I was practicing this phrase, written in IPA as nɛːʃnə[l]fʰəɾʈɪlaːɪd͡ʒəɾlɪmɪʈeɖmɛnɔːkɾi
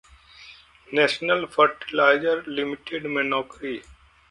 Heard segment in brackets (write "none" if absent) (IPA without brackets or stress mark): l